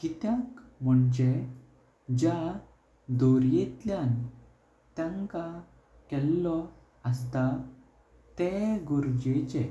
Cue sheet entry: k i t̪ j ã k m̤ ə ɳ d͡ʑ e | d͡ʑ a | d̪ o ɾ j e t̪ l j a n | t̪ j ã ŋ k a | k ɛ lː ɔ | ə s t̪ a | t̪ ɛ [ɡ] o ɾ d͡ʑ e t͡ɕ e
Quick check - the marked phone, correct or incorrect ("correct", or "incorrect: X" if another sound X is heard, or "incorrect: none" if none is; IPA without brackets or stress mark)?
correct